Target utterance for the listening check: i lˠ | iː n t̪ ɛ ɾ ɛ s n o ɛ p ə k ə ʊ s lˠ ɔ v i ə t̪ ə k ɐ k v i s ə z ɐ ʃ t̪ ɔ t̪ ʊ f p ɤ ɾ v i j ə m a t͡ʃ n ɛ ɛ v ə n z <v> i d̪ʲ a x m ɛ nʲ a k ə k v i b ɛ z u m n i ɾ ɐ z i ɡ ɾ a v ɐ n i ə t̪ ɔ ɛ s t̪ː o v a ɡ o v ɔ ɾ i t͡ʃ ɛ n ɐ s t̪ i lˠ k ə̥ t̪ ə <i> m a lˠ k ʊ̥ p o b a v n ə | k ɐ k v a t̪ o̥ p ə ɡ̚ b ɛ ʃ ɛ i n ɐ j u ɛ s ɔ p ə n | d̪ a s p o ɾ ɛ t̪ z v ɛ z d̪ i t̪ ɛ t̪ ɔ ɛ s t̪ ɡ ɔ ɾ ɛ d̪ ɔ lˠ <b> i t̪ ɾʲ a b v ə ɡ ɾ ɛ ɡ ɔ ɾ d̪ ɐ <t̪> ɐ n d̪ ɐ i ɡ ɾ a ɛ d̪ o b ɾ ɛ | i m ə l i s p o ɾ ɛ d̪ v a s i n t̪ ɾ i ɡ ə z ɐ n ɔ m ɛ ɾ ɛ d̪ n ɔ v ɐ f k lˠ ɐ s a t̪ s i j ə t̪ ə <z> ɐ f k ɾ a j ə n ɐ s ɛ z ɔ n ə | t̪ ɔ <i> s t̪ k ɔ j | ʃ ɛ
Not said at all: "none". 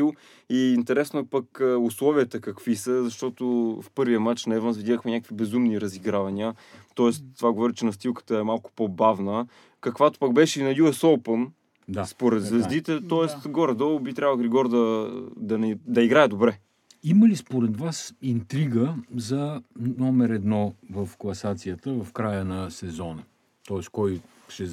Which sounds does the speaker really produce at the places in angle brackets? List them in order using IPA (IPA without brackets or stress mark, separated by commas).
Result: v, ɛ, b, d̪, v, ɛ